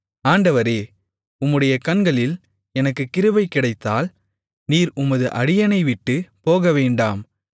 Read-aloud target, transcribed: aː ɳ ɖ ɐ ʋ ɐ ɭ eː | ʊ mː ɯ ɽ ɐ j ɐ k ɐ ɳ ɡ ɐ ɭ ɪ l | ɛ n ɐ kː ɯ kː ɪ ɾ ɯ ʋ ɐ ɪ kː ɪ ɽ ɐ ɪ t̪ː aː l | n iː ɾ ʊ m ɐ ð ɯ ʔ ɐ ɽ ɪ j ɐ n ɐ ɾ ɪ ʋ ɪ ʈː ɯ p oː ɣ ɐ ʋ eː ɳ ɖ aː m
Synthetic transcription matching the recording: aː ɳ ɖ ɐ ʋ ɐ ɾ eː | ʊ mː ɯ ɽ ɐ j ɐ k ɐ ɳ ɡ ɐ ɭ ɪ l | ɛ n ɐ kː ɯ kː ɪ ɾ ɯ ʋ ɐ ɪ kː ɪ ɽ ɐ ɪ t̪ː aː l | n iː ɾ ʊ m ɐ ð ɯ ʔ ɐ ɽ ɪ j ɐ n ɐ ɪ ʋ ɪ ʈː ɯ p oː ɣ ɐ ʋ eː ɳ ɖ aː m